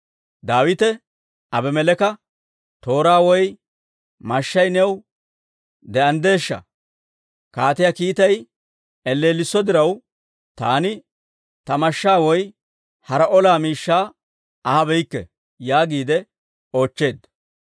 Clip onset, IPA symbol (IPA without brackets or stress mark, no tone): d̪